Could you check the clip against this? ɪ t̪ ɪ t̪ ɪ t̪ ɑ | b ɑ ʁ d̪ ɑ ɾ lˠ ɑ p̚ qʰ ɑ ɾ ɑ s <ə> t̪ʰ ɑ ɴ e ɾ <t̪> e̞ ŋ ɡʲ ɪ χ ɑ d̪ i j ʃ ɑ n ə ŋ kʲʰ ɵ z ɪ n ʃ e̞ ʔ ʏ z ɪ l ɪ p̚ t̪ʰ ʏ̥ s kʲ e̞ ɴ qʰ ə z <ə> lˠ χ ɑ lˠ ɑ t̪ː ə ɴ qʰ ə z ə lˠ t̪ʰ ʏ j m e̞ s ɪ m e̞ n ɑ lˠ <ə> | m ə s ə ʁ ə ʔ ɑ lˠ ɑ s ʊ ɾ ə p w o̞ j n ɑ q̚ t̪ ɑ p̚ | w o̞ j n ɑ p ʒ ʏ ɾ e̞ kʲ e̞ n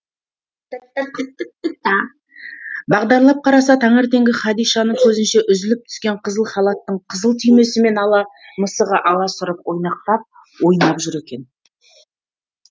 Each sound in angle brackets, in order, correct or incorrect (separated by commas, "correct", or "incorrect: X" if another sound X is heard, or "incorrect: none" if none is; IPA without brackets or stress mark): incorrect: ɑ, correct, correct, incorrect: ɑ